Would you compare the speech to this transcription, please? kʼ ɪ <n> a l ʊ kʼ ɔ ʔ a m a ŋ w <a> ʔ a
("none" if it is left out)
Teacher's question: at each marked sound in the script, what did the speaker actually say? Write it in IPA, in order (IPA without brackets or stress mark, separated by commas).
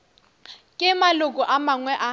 m, ɛ